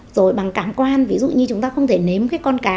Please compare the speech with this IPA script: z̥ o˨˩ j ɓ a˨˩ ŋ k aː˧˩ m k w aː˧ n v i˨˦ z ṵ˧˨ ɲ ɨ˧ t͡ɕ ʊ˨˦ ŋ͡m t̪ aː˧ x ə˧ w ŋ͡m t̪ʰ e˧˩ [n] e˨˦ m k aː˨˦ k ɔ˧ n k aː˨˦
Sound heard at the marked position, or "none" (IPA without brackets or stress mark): n